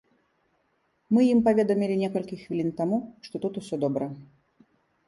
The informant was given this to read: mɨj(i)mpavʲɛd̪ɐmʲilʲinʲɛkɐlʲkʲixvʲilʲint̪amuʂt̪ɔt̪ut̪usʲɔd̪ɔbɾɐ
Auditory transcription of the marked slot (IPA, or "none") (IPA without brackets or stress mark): i